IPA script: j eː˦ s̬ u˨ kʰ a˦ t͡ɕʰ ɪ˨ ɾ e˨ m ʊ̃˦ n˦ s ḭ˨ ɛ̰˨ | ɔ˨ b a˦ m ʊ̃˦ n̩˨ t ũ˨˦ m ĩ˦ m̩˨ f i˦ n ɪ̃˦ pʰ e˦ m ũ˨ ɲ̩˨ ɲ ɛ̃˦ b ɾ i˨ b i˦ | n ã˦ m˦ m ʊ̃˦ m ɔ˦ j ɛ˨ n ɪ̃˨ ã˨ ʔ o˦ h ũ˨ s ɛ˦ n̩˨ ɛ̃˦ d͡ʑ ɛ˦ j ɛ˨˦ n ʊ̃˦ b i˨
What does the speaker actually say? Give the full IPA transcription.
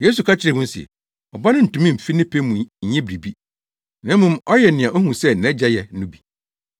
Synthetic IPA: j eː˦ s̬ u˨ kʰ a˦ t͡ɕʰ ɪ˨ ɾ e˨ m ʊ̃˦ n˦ s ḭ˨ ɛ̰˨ | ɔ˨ b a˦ n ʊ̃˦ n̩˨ t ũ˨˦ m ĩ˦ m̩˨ f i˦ n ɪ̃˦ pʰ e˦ m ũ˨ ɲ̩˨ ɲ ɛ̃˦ b ɾ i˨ b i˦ | n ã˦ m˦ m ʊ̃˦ m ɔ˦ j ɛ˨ n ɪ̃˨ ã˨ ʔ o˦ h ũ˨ s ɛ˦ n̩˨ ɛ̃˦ d͡ʑ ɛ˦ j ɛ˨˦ n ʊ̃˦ b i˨